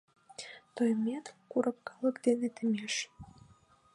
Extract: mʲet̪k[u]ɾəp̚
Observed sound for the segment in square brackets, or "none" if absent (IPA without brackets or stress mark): u